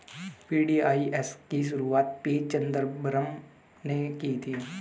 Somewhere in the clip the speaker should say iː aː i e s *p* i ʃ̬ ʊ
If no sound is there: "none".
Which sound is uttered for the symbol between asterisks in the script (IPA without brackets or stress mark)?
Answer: k